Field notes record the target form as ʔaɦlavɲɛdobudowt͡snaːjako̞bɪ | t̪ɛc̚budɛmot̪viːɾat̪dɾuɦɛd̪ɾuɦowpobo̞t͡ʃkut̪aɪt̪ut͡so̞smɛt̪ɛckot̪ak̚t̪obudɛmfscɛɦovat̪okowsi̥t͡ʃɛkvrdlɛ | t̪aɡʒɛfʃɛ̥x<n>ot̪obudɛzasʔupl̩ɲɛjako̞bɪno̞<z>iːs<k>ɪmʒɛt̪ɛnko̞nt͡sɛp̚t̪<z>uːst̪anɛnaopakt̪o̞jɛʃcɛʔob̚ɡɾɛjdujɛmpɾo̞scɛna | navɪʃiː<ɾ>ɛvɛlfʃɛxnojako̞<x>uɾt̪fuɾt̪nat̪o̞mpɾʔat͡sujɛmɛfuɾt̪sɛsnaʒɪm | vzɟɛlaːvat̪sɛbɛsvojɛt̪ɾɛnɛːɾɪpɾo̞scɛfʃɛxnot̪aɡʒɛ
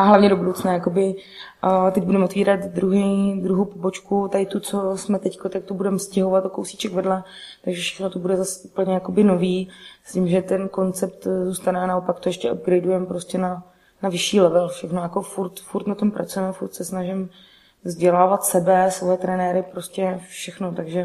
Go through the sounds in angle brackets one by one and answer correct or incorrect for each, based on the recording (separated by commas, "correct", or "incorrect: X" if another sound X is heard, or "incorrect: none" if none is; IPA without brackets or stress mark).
correct, incorrect: v, incorrect: c, correct, incorrect: l, incorrect: f